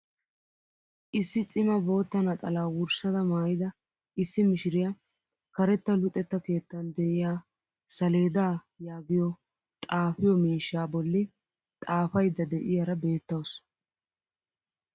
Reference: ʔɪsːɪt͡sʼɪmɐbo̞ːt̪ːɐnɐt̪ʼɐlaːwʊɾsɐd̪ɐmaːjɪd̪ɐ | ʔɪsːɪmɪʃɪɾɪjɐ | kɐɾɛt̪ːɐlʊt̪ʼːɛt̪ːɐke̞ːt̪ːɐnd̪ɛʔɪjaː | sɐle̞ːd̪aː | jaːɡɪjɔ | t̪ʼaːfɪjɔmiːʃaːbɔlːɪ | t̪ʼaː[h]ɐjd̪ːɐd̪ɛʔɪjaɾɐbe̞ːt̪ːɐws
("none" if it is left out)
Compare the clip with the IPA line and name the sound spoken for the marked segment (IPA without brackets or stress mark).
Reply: f